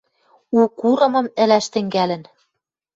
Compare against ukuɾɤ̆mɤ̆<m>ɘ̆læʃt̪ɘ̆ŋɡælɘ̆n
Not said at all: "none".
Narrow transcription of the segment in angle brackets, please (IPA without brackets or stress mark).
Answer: m